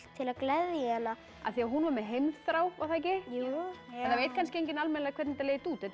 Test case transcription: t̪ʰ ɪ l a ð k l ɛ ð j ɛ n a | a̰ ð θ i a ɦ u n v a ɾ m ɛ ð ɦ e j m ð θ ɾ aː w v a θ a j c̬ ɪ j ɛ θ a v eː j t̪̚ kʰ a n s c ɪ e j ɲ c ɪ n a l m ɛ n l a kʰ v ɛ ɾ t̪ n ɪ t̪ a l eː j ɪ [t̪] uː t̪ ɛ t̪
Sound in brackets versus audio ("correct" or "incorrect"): correct